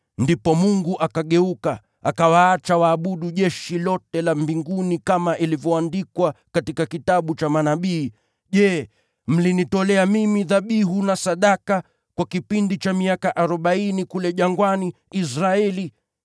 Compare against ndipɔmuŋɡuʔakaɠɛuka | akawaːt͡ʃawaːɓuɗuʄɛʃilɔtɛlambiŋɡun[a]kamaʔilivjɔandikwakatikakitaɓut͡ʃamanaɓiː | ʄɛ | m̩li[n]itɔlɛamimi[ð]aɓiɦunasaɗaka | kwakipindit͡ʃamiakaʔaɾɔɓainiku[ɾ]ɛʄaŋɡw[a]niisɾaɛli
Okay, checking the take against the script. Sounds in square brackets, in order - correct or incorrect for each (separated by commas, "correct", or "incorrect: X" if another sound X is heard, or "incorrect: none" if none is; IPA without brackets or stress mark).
incorrect: i, correct, correct, incorrect: l, correct